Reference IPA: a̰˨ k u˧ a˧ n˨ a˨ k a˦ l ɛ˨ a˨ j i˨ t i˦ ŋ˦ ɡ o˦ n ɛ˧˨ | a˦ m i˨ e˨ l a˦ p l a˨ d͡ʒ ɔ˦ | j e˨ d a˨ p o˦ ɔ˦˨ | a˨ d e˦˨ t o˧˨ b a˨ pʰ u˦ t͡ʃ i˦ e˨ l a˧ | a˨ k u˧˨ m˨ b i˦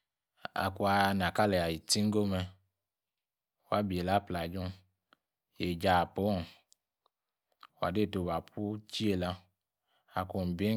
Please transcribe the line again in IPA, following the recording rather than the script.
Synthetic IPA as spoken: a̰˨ k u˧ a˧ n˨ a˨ k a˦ l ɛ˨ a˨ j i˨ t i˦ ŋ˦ ɡ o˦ m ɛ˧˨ | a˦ b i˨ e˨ l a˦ p l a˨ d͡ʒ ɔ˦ | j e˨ d͡ʒ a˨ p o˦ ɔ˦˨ | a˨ d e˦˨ t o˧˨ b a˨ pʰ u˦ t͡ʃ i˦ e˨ l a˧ | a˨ k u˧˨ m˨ b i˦